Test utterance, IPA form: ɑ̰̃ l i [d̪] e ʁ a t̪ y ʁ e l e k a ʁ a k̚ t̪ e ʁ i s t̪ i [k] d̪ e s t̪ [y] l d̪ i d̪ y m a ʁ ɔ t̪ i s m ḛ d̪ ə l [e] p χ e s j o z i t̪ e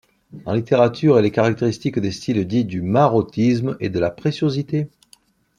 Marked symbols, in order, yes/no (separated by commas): no, yes, no, no